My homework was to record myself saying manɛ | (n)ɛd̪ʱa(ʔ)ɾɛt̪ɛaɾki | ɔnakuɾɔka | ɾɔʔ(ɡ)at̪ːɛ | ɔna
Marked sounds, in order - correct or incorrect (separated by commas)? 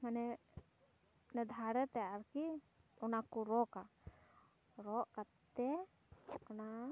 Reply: correct, incorrect, incorrect